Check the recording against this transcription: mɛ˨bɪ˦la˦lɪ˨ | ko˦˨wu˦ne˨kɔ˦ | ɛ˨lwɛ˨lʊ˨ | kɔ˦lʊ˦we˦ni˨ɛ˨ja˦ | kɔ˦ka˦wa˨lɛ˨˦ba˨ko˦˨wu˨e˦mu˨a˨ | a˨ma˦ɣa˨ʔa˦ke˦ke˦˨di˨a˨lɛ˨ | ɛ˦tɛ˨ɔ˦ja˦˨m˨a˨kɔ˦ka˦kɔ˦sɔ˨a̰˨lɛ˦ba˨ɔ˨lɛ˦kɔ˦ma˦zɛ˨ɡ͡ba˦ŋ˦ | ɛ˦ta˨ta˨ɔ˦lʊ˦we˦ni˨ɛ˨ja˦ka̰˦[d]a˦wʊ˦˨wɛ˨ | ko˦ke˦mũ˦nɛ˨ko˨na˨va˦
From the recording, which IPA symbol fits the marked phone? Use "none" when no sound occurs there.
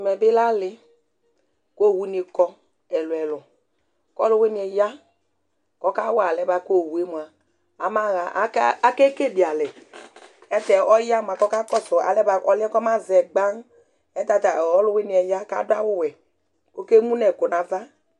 d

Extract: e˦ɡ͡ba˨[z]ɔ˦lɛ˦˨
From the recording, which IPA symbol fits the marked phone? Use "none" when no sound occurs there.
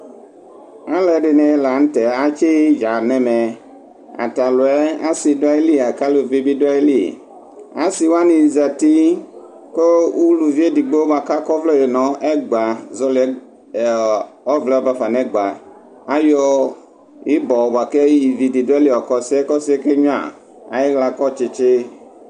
z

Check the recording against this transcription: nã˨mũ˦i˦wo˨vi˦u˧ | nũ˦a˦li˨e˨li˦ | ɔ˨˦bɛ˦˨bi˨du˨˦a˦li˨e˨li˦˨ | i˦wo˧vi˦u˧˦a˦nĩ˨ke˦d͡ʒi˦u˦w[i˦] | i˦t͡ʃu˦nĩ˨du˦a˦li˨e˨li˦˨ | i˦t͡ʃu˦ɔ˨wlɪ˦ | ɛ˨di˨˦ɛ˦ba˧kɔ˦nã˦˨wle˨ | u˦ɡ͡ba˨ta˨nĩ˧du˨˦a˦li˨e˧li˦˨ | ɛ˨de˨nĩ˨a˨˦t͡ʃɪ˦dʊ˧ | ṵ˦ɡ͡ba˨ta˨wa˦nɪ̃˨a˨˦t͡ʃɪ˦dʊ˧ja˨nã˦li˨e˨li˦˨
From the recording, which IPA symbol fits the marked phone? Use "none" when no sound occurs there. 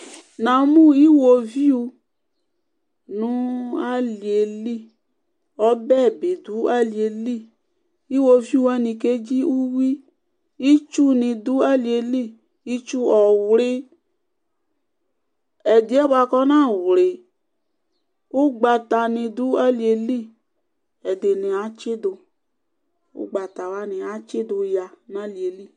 i˦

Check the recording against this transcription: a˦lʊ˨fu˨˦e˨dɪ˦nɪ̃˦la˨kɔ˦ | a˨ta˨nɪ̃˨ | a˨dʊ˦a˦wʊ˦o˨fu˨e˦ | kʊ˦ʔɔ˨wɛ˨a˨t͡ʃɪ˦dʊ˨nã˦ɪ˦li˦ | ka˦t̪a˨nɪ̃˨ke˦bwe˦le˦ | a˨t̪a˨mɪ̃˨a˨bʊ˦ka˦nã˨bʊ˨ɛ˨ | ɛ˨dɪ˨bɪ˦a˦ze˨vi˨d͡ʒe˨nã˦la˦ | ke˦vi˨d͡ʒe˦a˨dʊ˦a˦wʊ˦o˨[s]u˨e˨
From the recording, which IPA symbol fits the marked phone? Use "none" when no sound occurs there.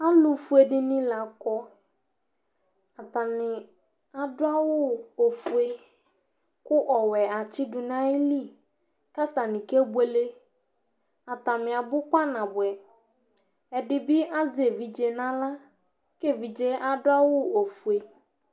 f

